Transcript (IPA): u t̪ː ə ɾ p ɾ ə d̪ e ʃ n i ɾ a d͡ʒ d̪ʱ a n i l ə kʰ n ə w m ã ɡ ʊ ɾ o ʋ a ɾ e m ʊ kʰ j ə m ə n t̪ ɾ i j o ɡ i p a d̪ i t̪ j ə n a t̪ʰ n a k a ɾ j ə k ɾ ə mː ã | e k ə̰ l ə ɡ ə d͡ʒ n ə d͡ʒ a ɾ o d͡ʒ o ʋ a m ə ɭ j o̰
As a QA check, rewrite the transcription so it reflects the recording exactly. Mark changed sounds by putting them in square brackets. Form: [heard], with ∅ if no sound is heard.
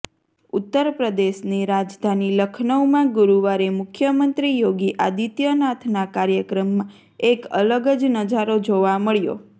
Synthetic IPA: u t̪ː ə ɾ p ɾ ə d̪ e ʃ n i ɾ a d͡ʒ d̪ʱ a n i l ə kʰ n ə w m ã ɡ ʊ ɾ [u] ʋ a ɾ e m ʊ kʰ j ə m ə n t̪ ɾ i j o ɡ i [ʔ] a d̪ i t̪ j ə n a t̪ʰ n a k a ɾ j ə k ɾ ə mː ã | e k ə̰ l ə ɡ ə d͡ʒ n ə d͡ʒ a ɾ o d͡ʒ o ʋ a m ə ɭ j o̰

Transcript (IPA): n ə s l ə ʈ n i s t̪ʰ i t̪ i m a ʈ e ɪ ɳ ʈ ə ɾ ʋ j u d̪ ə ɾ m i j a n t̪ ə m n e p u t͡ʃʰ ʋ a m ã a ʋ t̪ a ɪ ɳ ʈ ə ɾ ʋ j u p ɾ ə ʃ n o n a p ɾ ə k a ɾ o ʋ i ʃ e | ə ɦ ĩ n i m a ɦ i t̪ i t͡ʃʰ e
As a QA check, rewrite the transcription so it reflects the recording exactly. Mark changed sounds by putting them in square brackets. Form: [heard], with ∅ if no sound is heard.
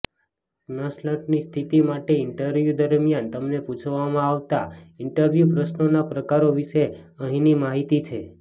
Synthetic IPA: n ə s l ə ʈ n i s t̪ʰ i t̪ i m a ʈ e ɪ ɳ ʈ ə ɾ ʋ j u d̪ ə ɾ m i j a n t̪ ə m n e p u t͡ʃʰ ʋ a m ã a ʋ t̪ a ɪ ɳ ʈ ə ɾ ʋ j u p ɾ ə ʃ n o n a p ɾ ə k a ɾ o ʋ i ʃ e | ə ɦ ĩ n i m a ɦ i t̪ i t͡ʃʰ e

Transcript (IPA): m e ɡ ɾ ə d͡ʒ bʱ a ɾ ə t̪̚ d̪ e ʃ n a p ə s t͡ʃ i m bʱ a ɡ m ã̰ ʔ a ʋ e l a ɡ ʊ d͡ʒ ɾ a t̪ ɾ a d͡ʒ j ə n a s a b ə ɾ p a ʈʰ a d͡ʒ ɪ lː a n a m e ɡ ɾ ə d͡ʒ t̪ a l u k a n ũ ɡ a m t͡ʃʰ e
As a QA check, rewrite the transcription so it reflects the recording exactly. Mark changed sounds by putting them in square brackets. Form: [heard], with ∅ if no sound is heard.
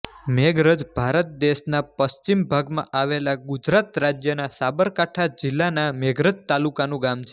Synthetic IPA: m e ɡ ɾ ə d͡ʒ bʱ a ɾ ə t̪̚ d̪ e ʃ n a p ə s t͡ʃ i m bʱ a ɡ m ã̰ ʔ a ʋ e l a ɡ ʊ d͡ʒ ɾ a t̪ ɾ a d͡ʒ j ə n a s a b ə ɾ [k] a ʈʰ a d͡ʒ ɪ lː a n a m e ɡ ɾ ə d͡ʒ t̪ a l u k a n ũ ɡ a m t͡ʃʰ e

